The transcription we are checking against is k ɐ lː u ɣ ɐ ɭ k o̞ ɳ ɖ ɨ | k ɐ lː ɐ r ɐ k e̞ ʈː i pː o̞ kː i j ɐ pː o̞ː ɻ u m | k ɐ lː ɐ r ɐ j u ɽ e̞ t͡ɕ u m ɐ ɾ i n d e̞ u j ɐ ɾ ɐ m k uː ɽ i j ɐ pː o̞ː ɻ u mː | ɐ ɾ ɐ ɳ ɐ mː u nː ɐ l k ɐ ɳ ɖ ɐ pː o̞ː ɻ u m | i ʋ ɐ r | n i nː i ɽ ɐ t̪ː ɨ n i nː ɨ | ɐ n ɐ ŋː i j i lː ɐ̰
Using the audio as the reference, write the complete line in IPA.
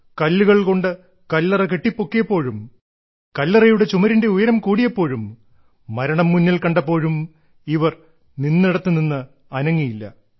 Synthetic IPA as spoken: k ɐ lː u ɣ ɐ ɭ k o̞ ɳ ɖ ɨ | k ɐ lː ɐ r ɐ k e̞ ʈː i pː o̞ kː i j ɐ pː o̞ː ɻ u m | k ɐ lː ɐ r ɐ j u ɽ e̞ t͡ɕ u m ɐ ɾ i n d e̞ u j ɐ ɾ ɐ m k uː ɽ i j ɐ pː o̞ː ɻ u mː | ɐ ɾ ɐ ɳ ɐ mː u nː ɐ l k ɐ ɳ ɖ ɐ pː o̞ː ɻ u m | i ʋ ɐ r | n i nː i ɽ ɐ t̪ː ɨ n i nː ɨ | ɐ n ɐ ŋː i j i lː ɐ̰